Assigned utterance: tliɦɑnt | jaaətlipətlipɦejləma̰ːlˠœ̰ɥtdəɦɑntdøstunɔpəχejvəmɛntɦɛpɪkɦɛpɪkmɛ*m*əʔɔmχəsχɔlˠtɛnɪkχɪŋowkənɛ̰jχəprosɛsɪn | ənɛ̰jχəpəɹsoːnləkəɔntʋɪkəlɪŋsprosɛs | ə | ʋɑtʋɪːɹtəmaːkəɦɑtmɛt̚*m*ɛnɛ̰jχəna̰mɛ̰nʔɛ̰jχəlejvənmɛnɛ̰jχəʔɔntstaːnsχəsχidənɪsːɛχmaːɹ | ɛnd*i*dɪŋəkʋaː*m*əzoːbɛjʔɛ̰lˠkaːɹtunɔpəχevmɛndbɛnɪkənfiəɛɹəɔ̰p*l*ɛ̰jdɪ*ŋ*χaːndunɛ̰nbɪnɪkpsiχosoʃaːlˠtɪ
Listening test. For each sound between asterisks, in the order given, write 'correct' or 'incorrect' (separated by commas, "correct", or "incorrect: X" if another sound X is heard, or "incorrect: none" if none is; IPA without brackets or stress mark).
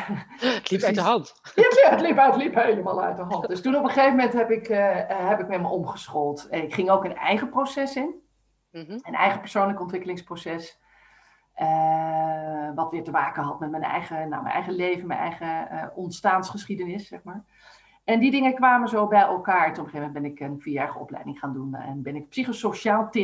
correct, correct, correct, correct, correct, correct